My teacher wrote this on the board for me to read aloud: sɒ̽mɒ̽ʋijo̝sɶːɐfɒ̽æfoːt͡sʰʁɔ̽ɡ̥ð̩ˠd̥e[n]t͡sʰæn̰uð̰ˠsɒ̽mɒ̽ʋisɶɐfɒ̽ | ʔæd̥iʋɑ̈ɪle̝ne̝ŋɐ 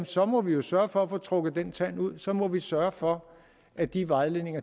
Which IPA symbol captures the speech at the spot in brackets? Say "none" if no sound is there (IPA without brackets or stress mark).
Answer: n